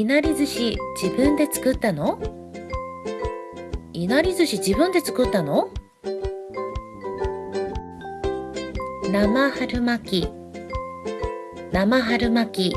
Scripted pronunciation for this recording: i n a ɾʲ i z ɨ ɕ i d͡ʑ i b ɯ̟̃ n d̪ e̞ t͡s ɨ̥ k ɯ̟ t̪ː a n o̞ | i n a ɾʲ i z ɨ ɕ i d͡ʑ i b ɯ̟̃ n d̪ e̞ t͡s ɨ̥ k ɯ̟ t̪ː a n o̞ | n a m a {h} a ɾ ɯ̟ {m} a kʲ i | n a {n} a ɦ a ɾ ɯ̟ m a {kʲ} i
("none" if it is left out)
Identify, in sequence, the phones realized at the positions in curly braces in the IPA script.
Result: h, m, m, kʲ

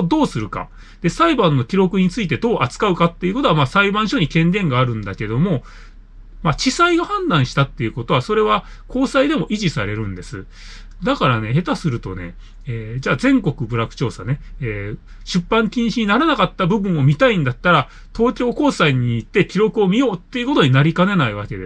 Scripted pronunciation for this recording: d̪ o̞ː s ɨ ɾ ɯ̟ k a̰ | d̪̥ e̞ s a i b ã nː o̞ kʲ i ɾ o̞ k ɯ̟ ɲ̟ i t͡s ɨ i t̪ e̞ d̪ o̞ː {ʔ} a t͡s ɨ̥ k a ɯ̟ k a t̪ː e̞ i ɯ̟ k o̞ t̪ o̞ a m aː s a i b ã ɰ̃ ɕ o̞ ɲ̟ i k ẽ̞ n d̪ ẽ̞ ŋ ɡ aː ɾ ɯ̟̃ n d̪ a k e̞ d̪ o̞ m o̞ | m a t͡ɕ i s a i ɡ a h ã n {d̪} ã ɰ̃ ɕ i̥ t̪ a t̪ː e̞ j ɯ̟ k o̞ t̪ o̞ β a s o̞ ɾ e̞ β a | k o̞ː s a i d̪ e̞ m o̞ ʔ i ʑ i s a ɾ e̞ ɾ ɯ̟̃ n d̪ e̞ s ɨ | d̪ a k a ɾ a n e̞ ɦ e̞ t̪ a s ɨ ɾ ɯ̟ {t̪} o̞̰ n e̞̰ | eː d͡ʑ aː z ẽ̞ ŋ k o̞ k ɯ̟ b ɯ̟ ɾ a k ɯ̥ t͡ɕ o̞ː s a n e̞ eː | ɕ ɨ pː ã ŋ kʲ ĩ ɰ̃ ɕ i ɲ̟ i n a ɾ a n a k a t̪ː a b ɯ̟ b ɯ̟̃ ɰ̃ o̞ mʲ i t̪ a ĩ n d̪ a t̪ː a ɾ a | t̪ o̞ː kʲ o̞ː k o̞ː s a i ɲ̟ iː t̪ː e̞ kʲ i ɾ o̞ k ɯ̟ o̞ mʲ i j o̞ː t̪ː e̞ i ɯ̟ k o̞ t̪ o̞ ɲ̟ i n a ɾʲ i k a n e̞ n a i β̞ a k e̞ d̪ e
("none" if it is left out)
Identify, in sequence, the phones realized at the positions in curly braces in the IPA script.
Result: ʔ, d̪, t̪

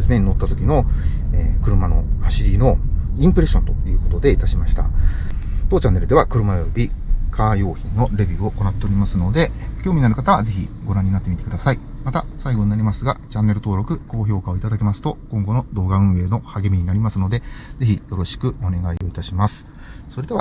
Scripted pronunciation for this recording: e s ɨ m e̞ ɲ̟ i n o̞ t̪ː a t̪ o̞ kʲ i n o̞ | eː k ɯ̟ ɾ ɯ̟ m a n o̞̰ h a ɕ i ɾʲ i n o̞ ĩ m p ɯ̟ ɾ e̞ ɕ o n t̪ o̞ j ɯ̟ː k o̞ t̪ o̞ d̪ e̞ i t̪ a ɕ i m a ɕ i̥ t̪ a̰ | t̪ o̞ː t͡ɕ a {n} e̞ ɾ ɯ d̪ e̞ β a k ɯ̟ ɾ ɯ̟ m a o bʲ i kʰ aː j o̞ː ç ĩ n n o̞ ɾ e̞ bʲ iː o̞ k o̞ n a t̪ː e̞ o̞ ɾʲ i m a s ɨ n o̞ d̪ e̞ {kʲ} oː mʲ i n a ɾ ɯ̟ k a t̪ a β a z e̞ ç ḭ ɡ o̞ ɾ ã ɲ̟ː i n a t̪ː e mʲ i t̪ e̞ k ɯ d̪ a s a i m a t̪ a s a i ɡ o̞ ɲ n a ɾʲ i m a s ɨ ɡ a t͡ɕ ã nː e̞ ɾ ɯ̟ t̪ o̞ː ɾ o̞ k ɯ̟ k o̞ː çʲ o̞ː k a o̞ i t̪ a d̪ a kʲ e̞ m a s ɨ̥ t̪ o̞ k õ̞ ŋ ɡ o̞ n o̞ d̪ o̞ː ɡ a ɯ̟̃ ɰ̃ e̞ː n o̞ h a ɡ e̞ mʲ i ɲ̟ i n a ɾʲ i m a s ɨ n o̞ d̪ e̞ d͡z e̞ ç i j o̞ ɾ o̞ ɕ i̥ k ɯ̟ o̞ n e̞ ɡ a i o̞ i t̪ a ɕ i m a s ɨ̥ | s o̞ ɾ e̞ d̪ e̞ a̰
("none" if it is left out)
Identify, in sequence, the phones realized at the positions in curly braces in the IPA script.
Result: nː, kʲ

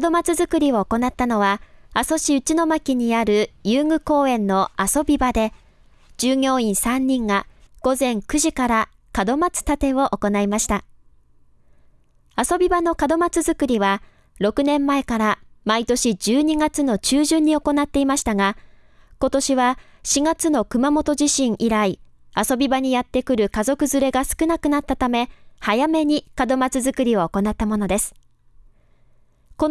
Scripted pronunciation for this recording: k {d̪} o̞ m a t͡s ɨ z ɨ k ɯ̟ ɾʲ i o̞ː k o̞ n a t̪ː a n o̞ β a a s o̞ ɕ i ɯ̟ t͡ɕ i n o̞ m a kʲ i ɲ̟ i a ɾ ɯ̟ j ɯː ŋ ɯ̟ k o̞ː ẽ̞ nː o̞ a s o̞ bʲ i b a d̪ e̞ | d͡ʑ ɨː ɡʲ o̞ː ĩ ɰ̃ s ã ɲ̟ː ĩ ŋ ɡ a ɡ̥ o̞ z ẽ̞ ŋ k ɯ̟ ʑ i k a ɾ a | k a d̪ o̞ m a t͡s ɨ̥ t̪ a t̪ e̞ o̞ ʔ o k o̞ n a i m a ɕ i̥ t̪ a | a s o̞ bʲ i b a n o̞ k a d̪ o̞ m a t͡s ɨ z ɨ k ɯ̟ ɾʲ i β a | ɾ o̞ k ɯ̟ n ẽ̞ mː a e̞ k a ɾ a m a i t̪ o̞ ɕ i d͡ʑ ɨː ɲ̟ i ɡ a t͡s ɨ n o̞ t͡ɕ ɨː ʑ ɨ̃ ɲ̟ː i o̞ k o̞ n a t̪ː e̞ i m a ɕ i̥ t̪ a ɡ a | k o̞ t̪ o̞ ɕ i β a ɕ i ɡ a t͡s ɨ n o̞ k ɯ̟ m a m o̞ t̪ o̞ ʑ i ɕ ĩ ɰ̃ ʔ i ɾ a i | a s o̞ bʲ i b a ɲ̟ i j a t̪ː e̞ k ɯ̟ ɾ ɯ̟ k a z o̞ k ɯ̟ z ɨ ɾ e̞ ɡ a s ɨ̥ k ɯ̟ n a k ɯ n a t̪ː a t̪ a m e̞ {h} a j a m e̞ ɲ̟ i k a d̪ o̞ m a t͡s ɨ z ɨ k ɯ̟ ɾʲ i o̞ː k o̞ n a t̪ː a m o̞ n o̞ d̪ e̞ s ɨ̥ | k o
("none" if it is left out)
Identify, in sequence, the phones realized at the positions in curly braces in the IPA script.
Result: d̪, h

